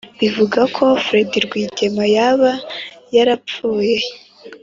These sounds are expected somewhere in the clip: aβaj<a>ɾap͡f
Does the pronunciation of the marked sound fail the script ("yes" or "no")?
no